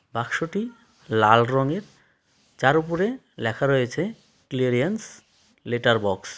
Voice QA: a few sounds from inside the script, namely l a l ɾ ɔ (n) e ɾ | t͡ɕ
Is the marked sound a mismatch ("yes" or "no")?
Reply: yes